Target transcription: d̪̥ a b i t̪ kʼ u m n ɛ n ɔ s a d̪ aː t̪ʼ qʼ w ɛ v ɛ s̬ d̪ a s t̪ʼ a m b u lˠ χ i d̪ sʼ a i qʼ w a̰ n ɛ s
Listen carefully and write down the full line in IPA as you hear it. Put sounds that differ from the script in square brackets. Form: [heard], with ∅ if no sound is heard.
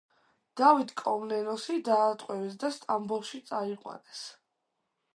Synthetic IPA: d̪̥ a [v] i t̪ kʼ [ɔ] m n ɛ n ɔ s [i] d̪ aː t̪ʼ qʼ w ɛ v ɛ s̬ d̪ a s t̪ʼ a m b u lˠ [ʃ] i [t̪] sʼ a i qʼ w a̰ n ɛ s